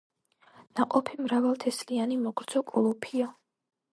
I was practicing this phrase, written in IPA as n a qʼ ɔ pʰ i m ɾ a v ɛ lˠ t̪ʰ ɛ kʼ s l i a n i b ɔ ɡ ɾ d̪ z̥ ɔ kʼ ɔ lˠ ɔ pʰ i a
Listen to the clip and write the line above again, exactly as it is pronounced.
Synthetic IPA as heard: n a qʼ ɔ pʰ i m ɾ a v a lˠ t̪ʰ ɛ s l i a n i m ɔ ɡ ɾ d̪ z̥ ɔ kʼ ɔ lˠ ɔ pʰ i a